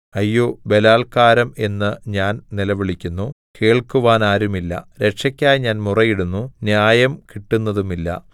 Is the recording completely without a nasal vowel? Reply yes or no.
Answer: yes